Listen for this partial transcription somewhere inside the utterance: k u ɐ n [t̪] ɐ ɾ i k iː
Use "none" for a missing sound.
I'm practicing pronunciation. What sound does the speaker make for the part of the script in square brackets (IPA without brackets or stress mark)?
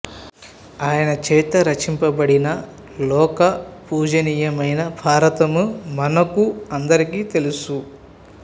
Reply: d̪